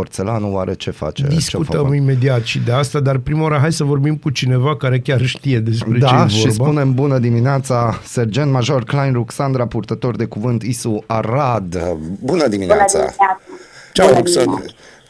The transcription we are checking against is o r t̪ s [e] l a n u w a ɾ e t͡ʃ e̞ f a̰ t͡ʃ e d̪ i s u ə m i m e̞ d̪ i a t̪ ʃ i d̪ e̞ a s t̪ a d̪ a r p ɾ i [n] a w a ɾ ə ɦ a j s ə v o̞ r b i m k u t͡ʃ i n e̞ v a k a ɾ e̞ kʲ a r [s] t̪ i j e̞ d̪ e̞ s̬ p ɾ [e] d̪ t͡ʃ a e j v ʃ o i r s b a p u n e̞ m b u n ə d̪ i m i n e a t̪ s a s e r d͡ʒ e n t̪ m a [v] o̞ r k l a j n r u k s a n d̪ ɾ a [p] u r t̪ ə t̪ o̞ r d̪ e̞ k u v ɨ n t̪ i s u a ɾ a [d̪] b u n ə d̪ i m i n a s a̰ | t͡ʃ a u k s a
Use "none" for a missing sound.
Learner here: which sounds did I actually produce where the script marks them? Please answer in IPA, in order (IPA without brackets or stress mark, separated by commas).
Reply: e, m, ʃ, e, ʒ, p, d̪